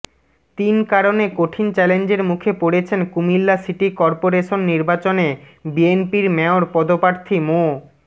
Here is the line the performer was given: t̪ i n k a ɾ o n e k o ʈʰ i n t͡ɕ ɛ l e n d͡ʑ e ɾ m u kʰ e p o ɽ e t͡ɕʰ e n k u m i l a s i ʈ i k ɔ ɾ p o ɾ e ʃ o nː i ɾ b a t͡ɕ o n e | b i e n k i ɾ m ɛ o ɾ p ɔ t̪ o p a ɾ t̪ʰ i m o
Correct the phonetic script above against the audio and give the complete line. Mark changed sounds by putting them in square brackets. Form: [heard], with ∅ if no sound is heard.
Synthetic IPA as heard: t̪ i n k a ɾ o n e k o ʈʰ i n t͡ɕ ɛ l e n d͡ʑ e ɾ m u kʰ e p o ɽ e t͡ɕʰ e n k u m i [lː] a s i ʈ i k ɔ ɾ p o ɾ e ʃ o nː i ɾ b a t͡ɕ o n e | b i e n [p] i ɾ m ɛ o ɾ p ɔ [d̪] o p a ɾ t̪ʰ i m o